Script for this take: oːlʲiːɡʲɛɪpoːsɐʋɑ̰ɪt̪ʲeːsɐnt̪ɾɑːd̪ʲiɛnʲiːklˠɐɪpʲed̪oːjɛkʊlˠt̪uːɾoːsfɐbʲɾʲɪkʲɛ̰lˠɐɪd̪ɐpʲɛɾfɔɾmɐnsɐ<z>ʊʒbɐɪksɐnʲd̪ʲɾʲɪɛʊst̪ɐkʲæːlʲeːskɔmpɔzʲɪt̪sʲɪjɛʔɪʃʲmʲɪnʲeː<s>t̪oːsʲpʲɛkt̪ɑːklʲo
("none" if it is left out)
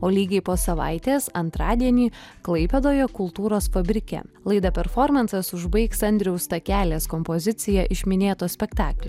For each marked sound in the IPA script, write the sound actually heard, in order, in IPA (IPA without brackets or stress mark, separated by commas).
s, none